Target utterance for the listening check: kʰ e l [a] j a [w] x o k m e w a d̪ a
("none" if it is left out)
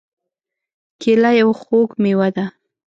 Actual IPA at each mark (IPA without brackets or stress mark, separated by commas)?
a, w